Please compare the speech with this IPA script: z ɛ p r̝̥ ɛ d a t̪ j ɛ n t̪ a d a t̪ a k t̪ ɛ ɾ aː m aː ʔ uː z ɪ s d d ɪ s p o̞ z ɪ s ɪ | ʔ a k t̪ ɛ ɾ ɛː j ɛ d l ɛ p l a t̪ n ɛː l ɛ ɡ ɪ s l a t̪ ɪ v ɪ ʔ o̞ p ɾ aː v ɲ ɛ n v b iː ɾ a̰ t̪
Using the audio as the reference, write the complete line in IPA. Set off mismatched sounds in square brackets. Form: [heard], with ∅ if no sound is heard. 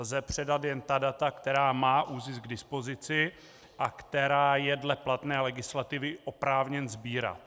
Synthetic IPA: z ɛ p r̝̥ ɛ d a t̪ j ɛ n t̪ a d a t̪ a k t̪ ɛ ɾ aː m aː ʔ uː z ɪ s [ɡ] d ɪ s p o̞ z ɪ [t͡s] ɪ | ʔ a k t̪ ɛ ɾ [aː] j ɛ d l ɛ p l a t̪ n ɛː l ɛ ɡ ɪ s l a t̪ ɪ v ɪ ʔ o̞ p ɾ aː v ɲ ɛ n [z] b iː ɾ a̰ t̪